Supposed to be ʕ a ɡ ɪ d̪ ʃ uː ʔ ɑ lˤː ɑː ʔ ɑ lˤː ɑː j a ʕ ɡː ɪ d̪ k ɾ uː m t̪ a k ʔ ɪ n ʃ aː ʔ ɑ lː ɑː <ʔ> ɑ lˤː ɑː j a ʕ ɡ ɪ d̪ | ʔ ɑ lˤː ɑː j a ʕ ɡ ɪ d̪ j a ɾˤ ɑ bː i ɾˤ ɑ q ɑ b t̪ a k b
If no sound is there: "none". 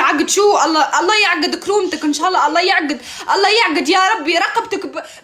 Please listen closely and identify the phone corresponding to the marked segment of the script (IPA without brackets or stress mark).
ʔ